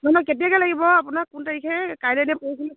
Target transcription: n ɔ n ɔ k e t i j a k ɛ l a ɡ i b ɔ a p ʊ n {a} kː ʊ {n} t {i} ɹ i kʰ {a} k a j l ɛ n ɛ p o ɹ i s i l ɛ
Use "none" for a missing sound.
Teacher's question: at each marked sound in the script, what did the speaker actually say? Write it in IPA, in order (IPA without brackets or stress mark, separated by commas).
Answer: a, n, a, ɛ